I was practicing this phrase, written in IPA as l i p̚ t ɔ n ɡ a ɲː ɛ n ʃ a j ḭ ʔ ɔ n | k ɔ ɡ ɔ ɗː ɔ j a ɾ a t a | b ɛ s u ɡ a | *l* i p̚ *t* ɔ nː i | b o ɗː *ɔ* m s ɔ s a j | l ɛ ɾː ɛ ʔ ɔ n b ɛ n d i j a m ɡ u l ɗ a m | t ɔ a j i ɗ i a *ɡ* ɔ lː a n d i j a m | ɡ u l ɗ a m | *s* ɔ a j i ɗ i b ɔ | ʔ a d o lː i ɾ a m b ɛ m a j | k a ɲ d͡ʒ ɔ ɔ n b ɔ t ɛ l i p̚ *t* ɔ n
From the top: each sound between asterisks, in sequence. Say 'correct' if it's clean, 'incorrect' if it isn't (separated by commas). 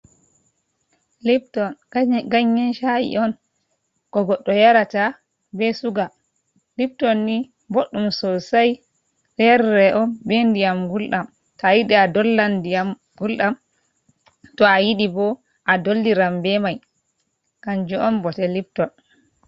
correct, correct, incorrect, incorrect, incorrect, correct